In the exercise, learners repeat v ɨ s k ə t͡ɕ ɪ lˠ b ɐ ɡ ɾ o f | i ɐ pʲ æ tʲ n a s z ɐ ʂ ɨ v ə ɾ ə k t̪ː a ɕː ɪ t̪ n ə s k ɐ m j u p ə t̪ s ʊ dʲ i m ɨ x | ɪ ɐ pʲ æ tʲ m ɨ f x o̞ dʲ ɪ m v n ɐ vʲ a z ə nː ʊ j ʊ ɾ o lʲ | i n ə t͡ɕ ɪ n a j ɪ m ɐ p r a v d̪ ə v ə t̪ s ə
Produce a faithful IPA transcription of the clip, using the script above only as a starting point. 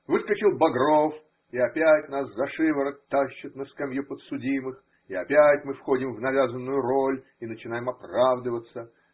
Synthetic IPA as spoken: v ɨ s k ə t͡ɕ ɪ lˠ b ɐ ɡ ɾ o f | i ɐ pʲ æ tʲ n a s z ɐ ʂ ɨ v ə ɾ ə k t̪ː a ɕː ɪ t̪ n ə s k ɐ m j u p ə t̪ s ʊ dʲ i m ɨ x | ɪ ɐ pʲ æ tʲ m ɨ f x o̞ dʲ ɪ m v n ɐ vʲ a z ə nː ʊ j ʊ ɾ o lʲ | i n ə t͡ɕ ɪ n a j ɪ m ɐ p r a v d̪ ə v ə t̪ s ə

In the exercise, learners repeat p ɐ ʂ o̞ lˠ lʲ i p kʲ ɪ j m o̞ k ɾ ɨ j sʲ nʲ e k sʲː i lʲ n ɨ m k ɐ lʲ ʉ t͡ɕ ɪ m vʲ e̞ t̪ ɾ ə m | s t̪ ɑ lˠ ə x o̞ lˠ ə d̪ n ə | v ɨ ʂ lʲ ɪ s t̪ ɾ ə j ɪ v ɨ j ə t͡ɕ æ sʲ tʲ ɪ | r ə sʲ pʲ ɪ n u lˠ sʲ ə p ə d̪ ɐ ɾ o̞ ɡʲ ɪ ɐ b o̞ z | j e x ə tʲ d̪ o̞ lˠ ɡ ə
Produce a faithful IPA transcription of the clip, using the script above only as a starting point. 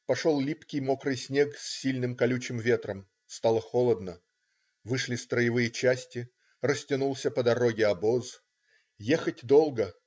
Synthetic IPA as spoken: p ɐ ʂ o̞ lˠ lʲ i p kʲ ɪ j m o̞ k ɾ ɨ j sʲ nʲ e k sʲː i lʲ n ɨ m k ɐ lʲ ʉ t͡ɕ ɪ m vʲ e̞ t̪ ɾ ə m | s t̪ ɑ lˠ ə x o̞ lˠ ə d̪ n ə | v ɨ ʂ lʲ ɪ s t̪ ɾ ə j ɪ v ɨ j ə t͡ɕ æ sʲ tʲ ɪ | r ə sʲ tʲ ɪ n u lˠ sʲ ə p ə d̪ ɐ ɾ o̞ ɡʲ ɪ ɐ b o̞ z | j e x ə tʲ d̪ o̞ lˠ ɡ ə

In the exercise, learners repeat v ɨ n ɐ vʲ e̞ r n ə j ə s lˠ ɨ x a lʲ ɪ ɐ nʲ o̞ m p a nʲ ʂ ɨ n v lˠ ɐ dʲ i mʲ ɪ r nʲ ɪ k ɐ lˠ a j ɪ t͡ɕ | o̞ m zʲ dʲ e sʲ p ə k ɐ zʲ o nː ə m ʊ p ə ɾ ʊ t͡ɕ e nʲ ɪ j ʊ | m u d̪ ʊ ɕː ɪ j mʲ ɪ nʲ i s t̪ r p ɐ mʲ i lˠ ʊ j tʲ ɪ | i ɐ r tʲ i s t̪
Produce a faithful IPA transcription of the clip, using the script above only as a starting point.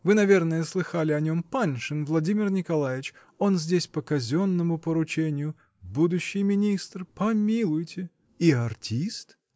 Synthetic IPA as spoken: v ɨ n ɐ vʲ e̞ r n ə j ə s lˠ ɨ x a lʲ ɪ ɐ nʲ o̞ m p a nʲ ʂ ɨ n v lˠ ɐ dʲ i mʲ ɪ r nʲ ɪ k ɐ lˠ a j ɪ t͡ɕ | o̞ n zʲ dʲ e sʲ p ə k ɐ zʲ o nː ə m ʊ p ə ɾ ʊ t͡ɕ e nʲ ɪ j ʊ | b u d̪ ʊ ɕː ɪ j mʲ ɪ nʲ i s t̪ r p ɐ mʲ i lˠ ʊ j tʲ ɪ | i ɐ r tʲ i s t̪

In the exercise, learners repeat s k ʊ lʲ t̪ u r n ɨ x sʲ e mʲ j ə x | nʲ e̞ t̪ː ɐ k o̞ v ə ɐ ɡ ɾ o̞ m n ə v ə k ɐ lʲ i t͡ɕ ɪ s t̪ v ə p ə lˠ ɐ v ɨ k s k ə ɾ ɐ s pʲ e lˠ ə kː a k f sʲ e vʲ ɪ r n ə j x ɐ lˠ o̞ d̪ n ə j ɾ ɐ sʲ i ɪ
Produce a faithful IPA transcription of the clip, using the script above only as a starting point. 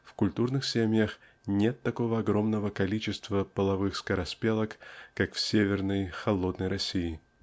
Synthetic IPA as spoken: f k ʊ lʲ t̪ u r n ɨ x sʲ e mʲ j ə x | nʲ e̞ t̪ː ɐ k o̞ v ə ɐ ɡ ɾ o̞ m n ə v ə k ɐ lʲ i t͡ɕ ɪ s t̪ v ə p ə lˠ ɐ v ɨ x s k ə ɾ ɐ s pʲ e lˠ ə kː a k f sʲ e vʲ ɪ r n ə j x ɐ lˠ o̞ d̪ n ə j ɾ ɐ sʲ i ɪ

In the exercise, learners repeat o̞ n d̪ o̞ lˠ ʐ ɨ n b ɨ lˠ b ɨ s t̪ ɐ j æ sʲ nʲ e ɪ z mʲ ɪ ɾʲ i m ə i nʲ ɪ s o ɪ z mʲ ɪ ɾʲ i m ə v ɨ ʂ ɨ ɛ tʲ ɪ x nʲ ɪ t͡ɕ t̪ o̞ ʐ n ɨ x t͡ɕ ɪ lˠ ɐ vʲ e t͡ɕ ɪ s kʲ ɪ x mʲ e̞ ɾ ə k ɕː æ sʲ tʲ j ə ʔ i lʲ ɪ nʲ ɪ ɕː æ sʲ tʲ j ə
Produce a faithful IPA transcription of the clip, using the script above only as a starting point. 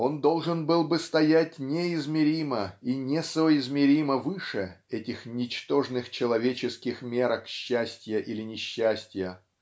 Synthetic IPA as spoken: o̞ n d̪ o̞ lˠ ʐ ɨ n b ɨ lˠ b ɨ s t̪ ɐ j æ tʲ nʲ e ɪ z mʲ ɪ ɾʲ i m ə i nʲ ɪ s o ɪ z mʲ ɪ ɾʲ i m ə v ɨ ʂ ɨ ɛ tʲ ɪ x nʲ ɪ t͡ɕ t̪ o̞ ʐ n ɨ x t͡ɕ ɪ lˠ ɐ vʲ e t͡ɕ ɪ s kʲ ɪ x mʲ e̞ ɾ ə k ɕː æ sʲ tʲ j ə ʔ i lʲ ɪ nʲ ɪ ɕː æ sʲ tʲ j ə

